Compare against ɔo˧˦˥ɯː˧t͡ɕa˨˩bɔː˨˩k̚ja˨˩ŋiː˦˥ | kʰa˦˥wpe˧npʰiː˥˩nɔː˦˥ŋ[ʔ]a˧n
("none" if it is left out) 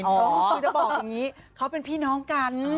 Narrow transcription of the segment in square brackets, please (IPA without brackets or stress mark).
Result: k